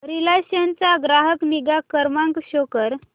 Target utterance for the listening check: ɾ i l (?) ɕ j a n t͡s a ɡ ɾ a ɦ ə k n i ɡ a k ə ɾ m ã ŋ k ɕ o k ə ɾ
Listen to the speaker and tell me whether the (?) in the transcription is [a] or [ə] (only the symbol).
a